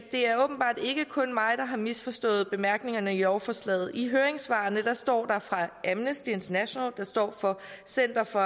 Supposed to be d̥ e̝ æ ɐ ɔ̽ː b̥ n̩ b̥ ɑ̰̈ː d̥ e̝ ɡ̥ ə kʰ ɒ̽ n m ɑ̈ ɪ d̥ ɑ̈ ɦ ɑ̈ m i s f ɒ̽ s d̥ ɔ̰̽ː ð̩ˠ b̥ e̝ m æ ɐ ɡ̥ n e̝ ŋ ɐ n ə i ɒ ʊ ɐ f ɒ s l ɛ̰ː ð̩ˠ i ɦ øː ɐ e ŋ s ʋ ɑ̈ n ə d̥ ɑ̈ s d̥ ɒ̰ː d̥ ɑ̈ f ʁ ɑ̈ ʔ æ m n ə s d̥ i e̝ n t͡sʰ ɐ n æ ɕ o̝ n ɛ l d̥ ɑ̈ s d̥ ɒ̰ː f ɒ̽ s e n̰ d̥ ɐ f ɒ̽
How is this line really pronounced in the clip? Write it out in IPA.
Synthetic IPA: d̥ e̝ æ ɐ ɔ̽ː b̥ n̩ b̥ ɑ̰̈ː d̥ e̝ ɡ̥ ə kʰ ɔ̽ n m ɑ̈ ɪ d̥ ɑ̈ ɦ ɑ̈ m i s f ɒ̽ s d̥ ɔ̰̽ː ð̩ˠ b̥ e̝ m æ ɐ ɡ̥ n e̝ ŋ ɐ n ə i ɒ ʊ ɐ f ɒ s l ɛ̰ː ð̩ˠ i ɦ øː ɐ e ŋ s ʋ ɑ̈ n ə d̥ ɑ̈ s d̥ ɒ̰ː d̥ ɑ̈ f ʁ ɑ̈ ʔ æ m n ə s d̥ i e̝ n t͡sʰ ɐ n æ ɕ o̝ n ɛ l d̥ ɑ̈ s d̥ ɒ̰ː f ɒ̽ s e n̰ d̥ ɐ f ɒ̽